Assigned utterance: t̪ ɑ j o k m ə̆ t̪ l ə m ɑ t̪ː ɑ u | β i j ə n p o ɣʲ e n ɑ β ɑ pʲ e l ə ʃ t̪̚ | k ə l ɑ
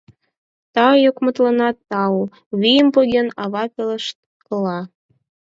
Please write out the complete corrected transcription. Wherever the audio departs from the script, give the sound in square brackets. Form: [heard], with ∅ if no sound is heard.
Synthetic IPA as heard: t̪ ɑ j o k m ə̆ t̪ l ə [n] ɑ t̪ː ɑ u | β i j ə [m] p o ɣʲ e n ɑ β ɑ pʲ e l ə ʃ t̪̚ | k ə l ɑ